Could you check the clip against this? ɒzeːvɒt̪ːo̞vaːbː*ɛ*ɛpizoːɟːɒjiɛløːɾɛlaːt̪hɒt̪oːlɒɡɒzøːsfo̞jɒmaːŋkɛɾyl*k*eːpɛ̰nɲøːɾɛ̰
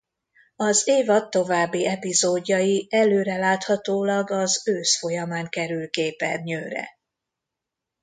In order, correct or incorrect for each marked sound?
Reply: incorrect, correct

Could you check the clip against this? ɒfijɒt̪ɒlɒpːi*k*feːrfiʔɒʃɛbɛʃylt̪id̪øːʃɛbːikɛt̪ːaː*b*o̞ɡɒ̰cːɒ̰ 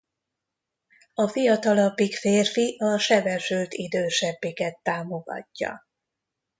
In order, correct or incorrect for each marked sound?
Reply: correct, incorrect

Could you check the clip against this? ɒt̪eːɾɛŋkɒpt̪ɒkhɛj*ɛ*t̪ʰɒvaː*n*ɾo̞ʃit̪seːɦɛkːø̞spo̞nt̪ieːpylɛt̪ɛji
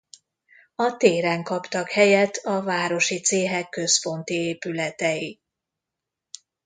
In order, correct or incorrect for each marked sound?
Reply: correct, incorrect

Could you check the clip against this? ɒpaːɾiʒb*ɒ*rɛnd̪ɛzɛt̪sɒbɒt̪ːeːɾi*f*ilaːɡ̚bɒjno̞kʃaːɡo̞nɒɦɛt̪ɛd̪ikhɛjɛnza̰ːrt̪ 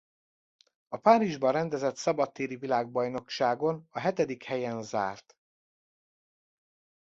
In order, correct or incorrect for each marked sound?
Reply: correct, incorrect

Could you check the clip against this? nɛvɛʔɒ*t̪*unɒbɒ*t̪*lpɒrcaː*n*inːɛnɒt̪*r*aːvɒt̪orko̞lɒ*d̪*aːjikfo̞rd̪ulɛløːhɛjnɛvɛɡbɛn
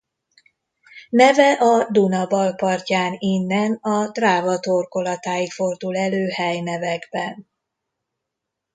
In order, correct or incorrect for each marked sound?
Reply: incorrect, incorrect, correct, correct, incorrect

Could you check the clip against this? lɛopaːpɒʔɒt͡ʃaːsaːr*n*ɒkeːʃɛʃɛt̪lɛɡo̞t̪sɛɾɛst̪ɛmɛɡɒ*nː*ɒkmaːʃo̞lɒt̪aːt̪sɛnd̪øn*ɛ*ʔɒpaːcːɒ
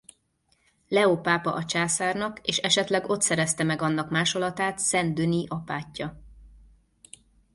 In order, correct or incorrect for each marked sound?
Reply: correct, correct, incorrect

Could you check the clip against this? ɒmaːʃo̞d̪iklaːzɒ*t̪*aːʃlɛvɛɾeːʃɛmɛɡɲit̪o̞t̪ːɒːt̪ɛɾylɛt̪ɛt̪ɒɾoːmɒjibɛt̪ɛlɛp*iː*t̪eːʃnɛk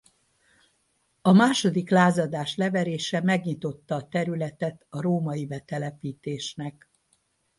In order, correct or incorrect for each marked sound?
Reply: incorrect, correct

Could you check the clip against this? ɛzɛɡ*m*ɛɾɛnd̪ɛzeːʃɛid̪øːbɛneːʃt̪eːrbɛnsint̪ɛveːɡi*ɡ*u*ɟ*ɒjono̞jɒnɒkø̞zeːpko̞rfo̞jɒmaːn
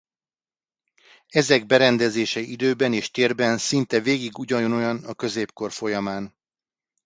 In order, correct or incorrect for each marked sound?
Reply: incorrect, correct, correct

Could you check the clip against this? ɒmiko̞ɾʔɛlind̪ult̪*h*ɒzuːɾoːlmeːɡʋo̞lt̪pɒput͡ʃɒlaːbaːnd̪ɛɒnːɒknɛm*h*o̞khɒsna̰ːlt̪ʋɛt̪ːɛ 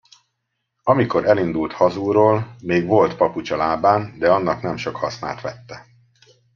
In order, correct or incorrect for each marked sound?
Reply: correct, incorrect

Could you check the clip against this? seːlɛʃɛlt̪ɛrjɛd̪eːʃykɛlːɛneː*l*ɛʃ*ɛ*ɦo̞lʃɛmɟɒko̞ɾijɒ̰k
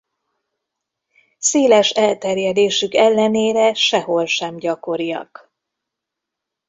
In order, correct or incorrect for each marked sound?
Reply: incorrect, correct

